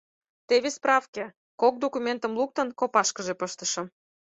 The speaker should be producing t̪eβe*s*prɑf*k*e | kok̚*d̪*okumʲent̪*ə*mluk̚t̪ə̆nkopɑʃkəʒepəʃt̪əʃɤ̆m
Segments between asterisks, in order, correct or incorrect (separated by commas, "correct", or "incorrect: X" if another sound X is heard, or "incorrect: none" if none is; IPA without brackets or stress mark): correct, correct, correct, correct